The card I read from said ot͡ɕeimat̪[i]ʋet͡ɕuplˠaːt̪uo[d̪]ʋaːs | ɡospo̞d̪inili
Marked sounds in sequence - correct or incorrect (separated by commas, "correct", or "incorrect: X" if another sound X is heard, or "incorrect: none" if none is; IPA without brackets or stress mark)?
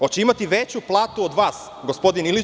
correct, correct